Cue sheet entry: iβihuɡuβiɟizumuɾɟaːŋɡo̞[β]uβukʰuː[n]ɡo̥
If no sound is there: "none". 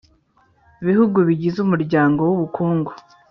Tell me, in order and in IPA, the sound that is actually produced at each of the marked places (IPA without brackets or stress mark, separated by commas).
w, ŋ